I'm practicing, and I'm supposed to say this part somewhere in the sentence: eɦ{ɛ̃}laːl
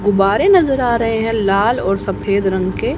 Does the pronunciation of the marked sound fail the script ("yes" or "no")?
no